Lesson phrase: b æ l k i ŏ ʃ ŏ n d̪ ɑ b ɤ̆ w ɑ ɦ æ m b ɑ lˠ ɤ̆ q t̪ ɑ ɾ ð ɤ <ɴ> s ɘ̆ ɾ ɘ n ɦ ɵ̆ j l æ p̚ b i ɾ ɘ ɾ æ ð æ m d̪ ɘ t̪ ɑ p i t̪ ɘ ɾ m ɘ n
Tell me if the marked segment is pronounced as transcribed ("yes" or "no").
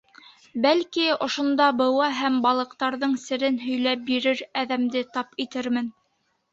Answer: yes